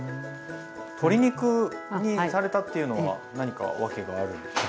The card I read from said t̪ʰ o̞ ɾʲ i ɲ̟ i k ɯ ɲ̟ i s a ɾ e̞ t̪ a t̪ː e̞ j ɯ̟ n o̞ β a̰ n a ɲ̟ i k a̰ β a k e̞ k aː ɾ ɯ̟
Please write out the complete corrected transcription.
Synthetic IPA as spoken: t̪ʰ o̞ ɾʲ i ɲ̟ i k ɯ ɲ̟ i s a ɾ e̞ t̪ a t̪ː e̞ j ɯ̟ n o̞ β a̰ n a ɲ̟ i k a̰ β a k e̞ ɡ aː ɾ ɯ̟